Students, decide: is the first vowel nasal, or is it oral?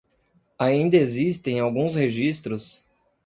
oral